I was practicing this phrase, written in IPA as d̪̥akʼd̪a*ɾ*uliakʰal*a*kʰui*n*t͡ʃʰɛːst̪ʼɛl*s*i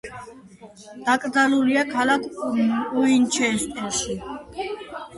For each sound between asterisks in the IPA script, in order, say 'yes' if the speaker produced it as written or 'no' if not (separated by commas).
no, yes, yes, no